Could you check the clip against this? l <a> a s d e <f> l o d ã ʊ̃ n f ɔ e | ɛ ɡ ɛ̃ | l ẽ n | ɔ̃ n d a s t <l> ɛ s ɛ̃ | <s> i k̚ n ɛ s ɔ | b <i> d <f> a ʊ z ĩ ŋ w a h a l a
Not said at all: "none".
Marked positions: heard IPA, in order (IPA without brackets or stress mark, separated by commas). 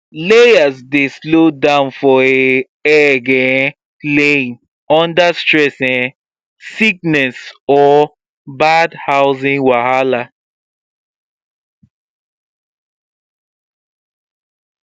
e, s, ɹ, s, a, h